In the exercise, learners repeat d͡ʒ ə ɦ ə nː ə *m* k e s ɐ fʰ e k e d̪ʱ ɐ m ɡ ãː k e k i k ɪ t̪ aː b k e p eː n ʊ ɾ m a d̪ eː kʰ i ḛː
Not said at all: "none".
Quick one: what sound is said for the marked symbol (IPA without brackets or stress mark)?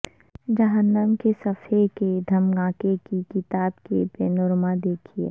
m